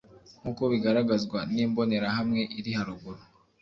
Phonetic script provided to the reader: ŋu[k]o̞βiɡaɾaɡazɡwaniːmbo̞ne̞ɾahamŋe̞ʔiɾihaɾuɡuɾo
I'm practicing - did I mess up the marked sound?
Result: no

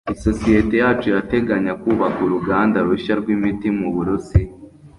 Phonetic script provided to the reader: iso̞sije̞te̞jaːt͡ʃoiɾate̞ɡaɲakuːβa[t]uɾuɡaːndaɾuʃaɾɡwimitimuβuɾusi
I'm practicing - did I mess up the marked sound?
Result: yes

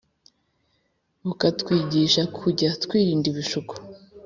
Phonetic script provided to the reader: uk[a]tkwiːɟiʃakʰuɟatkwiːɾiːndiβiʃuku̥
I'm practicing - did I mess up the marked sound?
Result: no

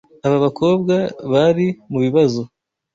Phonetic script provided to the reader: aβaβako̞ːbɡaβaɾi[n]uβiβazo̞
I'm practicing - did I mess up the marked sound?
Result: yes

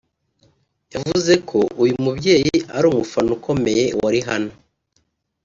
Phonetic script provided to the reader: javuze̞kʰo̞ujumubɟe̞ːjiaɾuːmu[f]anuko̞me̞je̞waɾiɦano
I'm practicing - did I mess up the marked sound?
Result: no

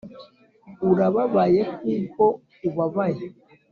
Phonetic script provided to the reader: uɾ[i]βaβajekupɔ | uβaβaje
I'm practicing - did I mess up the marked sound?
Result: yes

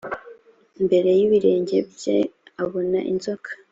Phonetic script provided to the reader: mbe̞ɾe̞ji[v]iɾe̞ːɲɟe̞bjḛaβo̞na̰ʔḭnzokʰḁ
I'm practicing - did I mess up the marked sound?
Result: yes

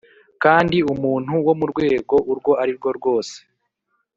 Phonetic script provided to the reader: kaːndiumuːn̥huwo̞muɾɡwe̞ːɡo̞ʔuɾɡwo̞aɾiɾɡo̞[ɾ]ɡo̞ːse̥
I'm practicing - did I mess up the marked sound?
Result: no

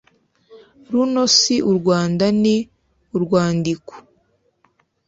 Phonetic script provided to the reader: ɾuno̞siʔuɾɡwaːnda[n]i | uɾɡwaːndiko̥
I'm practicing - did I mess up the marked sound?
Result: no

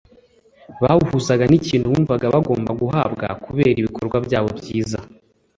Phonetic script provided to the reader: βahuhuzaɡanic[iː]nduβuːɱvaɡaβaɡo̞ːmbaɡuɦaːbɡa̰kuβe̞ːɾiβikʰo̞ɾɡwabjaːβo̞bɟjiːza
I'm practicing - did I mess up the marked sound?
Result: no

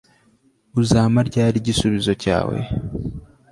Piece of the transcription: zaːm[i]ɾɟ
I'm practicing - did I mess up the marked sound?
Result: yes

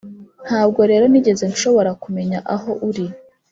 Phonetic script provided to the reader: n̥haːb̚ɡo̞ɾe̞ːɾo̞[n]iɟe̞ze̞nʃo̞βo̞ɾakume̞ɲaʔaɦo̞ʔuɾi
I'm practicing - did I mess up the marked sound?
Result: no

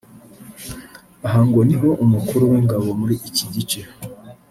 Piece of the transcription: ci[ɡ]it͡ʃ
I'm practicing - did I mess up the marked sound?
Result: yes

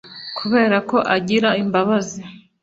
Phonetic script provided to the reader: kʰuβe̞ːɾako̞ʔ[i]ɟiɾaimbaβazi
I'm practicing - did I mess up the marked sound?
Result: yes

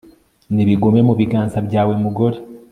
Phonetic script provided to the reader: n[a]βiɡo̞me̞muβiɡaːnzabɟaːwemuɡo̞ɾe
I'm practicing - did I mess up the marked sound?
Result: yes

